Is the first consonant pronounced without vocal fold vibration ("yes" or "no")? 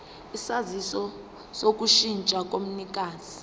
yes